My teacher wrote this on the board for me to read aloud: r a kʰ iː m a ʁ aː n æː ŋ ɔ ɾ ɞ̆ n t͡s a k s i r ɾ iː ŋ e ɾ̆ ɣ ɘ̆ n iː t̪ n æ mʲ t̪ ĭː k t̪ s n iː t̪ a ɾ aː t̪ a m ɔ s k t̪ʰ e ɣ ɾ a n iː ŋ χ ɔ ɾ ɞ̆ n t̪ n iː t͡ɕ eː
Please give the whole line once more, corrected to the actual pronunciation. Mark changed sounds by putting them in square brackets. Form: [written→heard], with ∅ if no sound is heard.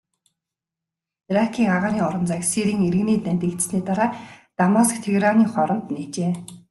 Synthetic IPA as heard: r a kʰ iː [m→ŋ] a ʁ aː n [æː→iː] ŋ ɔ ɾ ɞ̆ n t͡s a k s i [r→∅] ɾ iː ŋ e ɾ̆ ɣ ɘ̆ n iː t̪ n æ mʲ t̪ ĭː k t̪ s n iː t̪ a ɾ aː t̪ a m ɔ s k t̪ʰ e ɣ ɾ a n iː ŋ χ ɔ ɾ ɞ̆ n t̪ n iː t͡ɕ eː